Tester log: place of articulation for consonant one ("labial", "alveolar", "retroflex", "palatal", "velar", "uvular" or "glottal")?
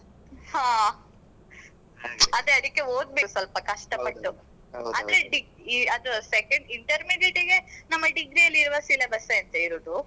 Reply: glottal